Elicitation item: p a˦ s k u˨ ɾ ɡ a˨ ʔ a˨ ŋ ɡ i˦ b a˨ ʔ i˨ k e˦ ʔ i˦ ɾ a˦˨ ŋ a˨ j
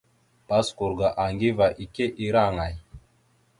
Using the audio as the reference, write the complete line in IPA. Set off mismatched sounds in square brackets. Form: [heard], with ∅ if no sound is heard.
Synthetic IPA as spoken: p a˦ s k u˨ ɾ ɡ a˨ ʔ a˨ ŋ ɡ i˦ [v] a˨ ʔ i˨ k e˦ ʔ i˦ ɾ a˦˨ ŋ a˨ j